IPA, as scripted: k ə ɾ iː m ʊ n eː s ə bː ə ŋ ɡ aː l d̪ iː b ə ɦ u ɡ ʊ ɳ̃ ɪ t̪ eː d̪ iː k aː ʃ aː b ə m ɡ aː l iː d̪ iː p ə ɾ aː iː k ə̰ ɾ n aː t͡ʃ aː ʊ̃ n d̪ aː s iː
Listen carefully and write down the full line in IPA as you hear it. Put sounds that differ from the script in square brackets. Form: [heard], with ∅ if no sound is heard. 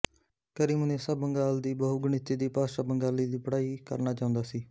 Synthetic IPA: k ə ɾ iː m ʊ n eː s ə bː ə ŋ ɡ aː l d̪ iː b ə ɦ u ɡ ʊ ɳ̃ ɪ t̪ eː d̪ iː [p] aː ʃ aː b ə [ŋ] ɡ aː l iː d̪ iː p ə [ɽ] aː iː k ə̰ ɾ n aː t͡ʃ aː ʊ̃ n d̪ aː s iː